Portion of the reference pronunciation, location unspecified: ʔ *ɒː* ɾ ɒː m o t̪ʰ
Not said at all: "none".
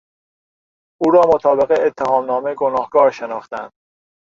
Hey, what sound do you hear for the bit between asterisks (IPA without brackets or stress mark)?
uː